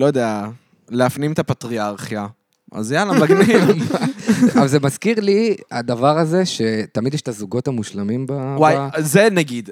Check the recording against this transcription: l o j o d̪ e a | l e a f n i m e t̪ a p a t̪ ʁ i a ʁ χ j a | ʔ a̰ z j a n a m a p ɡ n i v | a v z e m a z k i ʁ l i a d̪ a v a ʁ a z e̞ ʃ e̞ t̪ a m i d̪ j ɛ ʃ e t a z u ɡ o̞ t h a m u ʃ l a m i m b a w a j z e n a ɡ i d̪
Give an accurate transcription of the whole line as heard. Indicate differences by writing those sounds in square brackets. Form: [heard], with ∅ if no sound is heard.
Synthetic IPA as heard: l o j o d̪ e a | l e a f n i m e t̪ a p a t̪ ʁ i a ʁ χ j a | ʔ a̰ z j a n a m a [∅] ɡ n i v | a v z e m a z k i ʁ l i a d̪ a v a ʁ a z e̞ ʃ e̞ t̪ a m i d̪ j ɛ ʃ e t a z u ɡ o̞ t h a m u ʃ l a m i m b a w a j z e n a ɡ i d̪